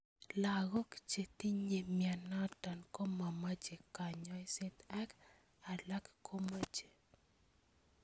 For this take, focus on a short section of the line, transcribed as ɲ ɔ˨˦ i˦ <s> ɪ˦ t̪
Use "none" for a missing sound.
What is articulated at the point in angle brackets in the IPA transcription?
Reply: s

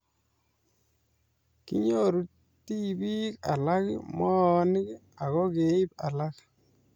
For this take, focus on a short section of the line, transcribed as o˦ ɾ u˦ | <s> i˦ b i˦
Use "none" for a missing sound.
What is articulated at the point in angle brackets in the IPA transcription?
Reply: t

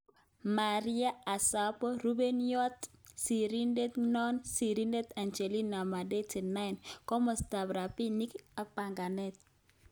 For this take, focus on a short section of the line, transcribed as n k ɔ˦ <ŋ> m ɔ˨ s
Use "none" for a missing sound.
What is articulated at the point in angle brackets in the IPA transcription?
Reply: none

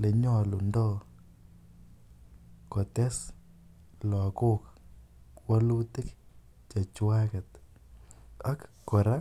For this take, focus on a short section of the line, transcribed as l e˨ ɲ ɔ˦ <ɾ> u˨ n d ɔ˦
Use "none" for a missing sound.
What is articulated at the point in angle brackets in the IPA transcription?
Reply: l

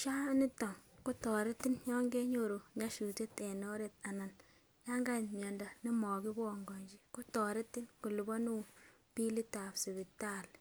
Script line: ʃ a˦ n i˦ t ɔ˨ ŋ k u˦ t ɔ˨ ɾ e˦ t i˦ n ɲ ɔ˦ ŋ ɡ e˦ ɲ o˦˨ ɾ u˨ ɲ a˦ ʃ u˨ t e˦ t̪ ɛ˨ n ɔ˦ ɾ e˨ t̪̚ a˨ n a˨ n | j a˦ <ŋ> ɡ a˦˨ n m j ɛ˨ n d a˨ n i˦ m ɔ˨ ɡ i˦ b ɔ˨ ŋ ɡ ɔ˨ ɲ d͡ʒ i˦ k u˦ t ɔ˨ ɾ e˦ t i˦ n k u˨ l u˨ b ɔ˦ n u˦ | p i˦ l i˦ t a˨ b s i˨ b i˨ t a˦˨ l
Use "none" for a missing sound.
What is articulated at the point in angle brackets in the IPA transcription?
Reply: ŋ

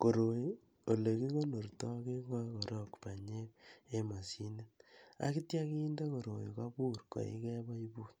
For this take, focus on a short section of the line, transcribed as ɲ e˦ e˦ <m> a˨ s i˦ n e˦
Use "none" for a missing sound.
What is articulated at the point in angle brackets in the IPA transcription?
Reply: m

